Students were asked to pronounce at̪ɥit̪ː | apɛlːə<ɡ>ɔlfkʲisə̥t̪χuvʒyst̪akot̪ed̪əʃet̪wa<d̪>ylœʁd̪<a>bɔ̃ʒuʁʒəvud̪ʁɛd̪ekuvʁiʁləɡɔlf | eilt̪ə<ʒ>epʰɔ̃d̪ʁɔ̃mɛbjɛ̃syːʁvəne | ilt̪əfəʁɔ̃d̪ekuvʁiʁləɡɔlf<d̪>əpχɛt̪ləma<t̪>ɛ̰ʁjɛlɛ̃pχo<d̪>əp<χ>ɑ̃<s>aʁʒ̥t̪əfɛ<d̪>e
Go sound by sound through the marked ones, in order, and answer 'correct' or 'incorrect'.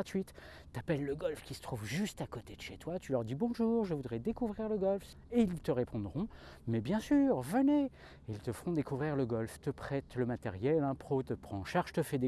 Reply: correct, incorrect: t̪, incorrect: i, incorrect: ʁ, incorrect: t̪, correct, incorrect: t̪, correct, incorrect: ʃ, correct

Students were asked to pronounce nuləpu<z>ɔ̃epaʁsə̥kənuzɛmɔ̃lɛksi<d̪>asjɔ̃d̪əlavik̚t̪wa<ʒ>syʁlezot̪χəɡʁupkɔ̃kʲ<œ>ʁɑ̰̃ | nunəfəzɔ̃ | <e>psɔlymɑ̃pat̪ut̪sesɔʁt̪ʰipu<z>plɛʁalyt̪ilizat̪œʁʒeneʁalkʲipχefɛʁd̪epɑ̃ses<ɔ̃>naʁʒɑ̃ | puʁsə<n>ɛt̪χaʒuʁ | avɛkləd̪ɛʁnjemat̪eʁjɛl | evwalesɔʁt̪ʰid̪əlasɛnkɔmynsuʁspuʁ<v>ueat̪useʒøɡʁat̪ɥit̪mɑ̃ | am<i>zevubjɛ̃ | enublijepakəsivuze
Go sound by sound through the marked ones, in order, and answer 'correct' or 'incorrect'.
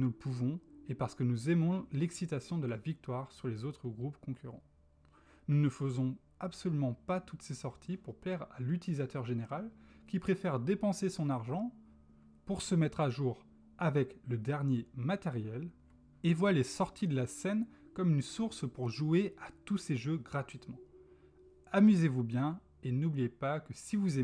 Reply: incorrect: v, incorrect: t̪, incorrect: ʁ, incorrect: y, incorrect: a, incorrect: ʁ, correct, incorrect: m, incorrect: ʒ, incorrect: y

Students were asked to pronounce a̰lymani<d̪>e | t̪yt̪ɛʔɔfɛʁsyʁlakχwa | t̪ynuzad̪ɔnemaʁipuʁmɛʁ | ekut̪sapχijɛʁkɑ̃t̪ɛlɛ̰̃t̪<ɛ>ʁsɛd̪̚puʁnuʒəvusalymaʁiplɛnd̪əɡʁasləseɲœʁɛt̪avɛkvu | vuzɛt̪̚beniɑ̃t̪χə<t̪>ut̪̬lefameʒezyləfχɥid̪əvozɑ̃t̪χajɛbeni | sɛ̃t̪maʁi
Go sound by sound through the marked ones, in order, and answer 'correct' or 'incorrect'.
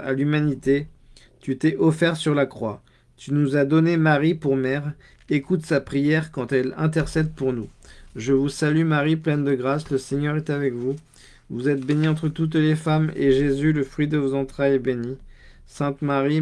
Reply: incorrect: t̪, correct, correct

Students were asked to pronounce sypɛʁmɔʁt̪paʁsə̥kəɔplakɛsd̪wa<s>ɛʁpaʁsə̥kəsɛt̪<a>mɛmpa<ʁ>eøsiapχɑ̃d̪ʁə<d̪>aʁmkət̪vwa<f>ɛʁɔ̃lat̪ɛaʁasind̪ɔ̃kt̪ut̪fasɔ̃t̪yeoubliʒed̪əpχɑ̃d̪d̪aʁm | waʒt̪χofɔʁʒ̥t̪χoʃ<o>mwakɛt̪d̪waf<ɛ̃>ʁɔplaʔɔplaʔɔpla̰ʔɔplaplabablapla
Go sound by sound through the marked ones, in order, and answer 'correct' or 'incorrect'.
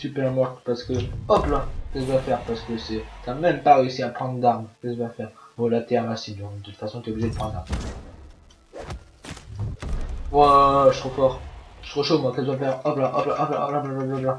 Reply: incorrect: f, correct, correct, correct, correct, correct, incorrect: ɛ

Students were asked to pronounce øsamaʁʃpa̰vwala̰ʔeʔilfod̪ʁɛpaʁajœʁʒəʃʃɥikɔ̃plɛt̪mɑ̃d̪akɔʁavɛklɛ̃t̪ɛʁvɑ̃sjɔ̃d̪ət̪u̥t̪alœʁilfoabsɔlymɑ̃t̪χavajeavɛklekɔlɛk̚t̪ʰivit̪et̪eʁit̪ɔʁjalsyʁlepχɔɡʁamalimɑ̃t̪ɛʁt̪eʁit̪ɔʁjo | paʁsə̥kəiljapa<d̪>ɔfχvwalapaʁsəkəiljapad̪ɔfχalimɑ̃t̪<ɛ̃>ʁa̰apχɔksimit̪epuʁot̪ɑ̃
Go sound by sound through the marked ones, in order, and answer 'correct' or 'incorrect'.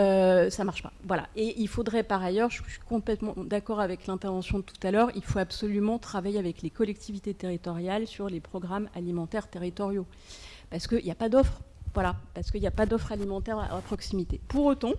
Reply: correct, incorrect: ɛ

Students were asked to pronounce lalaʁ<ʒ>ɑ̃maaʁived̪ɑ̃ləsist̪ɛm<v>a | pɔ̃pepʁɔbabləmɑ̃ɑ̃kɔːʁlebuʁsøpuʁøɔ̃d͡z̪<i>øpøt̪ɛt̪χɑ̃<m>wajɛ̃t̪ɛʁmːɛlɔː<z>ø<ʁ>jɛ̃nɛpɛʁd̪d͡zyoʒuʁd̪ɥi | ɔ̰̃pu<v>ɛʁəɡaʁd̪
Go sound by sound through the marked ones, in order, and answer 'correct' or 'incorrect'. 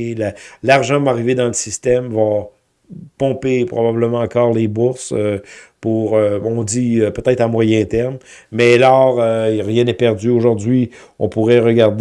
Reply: correct, correct, correct, correct, incorrect: ʁ, correct, incorrect: ʁ

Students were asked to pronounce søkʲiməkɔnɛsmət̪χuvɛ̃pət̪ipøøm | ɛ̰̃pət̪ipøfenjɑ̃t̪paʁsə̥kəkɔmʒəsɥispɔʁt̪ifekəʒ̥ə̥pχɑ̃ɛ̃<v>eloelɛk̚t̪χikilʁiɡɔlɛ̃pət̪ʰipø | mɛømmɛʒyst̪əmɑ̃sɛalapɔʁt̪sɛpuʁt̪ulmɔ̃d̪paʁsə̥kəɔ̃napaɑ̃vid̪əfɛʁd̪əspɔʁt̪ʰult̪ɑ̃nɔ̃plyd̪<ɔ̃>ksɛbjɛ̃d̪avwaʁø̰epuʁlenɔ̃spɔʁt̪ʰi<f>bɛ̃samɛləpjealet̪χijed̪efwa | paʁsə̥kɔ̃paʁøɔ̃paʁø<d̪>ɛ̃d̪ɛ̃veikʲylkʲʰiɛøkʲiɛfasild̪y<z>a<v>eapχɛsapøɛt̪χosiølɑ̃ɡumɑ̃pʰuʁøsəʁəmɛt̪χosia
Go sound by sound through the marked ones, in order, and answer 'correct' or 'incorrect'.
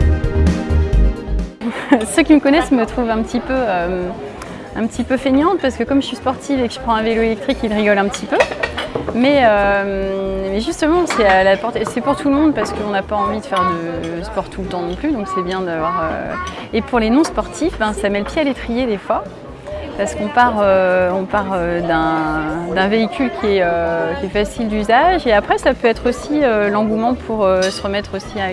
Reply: correct, correct, correct, correct, correct, incorrect: ʒ

